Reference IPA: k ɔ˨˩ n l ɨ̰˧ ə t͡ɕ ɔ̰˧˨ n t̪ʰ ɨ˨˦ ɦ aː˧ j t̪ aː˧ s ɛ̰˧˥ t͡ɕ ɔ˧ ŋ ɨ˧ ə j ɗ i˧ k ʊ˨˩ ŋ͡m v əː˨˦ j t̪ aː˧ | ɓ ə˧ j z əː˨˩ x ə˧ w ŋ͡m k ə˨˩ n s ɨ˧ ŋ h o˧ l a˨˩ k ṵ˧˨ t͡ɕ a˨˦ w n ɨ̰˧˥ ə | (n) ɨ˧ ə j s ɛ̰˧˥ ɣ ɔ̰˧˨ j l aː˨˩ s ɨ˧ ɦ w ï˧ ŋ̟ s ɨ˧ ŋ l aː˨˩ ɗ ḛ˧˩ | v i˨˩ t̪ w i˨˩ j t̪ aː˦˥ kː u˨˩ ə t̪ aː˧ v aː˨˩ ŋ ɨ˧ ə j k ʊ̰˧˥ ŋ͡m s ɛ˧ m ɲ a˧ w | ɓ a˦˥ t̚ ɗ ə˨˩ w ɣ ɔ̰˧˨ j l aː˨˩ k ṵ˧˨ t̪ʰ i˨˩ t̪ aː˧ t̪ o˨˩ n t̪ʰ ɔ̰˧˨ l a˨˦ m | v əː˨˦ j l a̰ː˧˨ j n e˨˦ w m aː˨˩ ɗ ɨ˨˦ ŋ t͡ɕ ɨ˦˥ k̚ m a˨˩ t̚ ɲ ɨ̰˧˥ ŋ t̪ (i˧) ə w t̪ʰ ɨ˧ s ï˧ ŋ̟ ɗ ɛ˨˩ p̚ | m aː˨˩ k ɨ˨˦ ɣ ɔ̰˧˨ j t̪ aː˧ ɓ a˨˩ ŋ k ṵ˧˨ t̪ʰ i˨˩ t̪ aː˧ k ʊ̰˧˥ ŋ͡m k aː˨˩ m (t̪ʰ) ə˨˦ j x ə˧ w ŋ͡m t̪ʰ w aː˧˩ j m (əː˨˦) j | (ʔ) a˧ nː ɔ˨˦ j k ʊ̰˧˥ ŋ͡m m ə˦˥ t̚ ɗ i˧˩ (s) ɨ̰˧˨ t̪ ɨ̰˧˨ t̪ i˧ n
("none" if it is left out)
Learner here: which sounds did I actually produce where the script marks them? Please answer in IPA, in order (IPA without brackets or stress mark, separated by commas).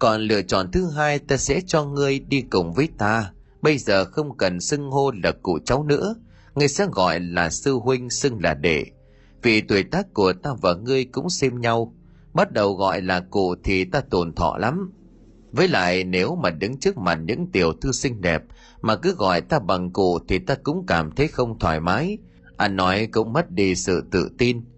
ŋ, i˨˩, t̪ʰ, aː˨˦, ʔ, s